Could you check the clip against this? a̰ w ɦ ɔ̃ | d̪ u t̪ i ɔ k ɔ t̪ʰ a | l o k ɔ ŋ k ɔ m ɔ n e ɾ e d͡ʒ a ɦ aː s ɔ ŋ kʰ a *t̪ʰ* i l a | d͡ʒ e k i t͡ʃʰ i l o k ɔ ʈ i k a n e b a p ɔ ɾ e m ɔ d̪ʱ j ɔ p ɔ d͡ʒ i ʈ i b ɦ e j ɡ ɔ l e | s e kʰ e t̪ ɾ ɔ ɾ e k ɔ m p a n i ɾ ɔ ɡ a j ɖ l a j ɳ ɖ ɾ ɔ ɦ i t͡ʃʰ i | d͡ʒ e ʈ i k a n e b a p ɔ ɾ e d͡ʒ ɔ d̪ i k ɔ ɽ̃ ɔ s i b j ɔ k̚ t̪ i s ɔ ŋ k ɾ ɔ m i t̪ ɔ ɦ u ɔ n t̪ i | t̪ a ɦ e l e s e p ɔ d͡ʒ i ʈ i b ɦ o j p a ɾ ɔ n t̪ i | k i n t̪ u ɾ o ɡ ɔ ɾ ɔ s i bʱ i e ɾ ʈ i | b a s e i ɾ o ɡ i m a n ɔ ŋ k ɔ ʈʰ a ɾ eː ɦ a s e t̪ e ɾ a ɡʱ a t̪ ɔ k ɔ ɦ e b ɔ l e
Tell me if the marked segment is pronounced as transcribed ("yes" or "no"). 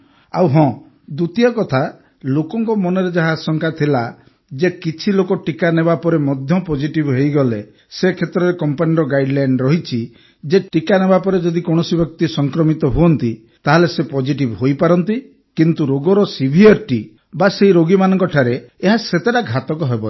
yes